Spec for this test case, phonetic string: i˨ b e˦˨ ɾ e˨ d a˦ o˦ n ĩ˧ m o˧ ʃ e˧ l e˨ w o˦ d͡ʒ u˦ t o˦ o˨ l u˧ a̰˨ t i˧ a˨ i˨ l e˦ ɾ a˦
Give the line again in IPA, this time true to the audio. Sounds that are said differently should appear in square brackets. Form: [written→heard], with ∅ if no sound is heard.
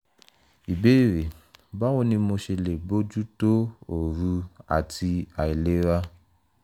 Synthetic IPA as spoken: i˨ b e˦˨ ɾ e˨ [d→b] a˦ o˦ n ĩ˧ m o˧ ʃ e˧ l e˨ [w→b] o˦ d͡ʒ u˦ t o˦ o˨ [l→ɾ] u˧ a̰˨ t i˧ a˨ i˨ l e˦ ɾ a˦